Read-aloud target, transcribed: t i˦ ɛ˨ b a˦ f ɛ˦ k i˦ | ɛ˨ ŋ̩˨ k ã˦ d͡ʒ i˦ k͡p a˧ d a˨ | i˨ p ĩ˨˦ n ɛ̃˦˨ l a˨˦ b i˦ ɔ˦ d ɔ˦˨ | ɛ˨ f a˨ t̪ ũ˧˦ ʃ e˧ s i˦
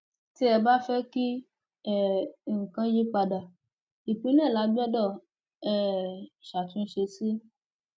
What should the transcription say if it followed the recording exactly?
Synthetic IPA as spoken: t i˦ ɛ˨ b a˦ f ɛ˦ k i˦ | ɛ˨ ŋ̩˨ k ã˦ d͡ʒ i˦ k͡p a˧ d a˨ | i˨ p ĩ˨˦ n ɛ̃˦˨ l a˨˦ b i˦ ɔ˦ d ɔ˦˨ | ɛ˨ ʃ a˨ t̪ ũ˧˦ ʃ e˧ s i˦

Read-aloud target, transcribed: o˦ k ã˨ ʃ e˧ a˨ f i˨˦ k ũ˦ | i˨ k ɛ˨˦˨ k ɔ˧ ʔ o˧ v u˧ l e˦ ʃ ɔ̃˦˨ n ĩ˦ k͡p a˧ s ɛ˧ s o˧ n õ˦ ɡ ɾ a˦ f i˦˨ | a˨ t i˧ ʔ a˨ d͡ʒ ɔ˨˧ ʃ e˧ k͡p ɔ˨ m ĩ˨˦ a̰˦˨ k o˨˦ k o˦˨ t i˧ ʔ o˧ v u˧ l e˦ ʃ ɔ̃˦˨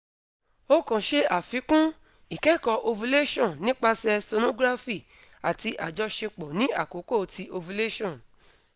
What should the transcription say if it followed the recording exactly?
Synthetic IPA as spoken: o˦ k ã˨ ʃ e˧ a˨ f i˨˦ k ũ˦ | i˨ k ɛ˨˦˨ k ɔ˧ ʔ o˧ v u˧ l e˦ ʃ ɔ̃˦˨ n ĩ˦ k͡p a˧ s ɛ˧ s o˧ n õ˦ ɡ ɾ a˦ f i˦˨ | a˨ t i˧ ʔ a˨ d͡ʒ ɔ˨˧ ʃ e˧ k͡p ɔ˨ n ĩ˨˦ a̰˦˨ k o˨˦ k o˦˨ t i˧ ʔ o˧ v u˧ l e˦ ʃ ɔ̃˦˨

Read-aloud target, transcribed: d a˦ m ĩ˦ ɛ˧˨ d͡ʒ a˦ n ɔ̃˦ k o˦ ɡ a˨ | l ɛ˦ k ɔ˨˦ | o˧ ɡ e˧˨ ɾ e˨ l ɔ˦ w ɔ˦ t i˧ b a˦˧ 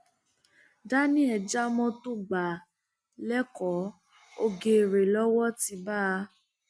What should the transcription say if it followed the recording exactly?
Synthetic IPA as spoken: d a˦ n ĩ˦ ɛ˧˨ d͡ʒ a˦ m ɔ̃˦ t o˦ ɡ͡b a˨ | l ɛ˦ k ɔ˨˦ | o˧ ɡ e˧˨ ɾ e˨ l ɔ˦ w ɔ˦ t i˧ b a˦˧

